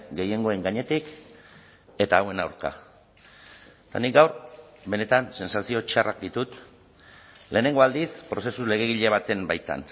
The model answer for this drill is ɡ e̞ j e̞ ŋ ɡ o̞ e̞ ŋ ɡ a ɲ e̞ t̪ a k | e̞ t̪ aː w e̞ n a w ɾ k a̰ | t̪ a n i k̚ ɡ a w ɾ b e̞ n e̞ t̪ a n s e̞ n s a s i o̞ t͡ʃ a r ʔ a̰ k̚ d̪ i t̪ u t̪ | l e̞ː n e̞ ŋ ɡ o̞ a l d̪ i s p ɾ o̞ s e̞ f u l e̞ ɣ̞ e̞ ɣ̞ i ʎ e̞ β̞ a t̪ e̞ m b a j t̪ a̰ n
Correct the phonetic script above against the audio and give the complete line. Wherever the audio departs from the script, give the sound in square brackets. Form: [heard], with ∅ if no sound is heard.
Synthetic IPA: ɡ e̞ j e̞ ŋ ɡ o̞ e̞ ŋ ɡ a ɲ e̞ t̪ [i] k | e̞ t̪ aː w e̞ n a w ɾ k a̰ | t̪ a n i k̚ ɡ a w ɾ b e̞ n e̞ t̪ a n s e̞ n s a s i o̞ t͡ʃ a r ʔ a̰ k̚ d̪ i t̪ u t̪ | l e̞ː n e̞ ŋ ɡ o̞ a l d̪ i s p ɾ o̞ s e̞ [s] u l e̞ ɣ̞ e̞ ɣ̞ i ʎ e̞ β̞ a t̪ e̞ m b a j t̪ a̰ n